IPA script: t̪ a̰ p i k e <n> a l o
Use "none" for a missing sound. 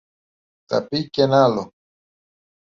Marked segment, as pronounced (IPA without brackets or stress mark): n